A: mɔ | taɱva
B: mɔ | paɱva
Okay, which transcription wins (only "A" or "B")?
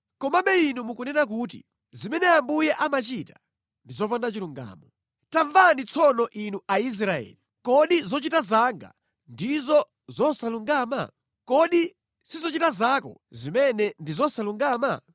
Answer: A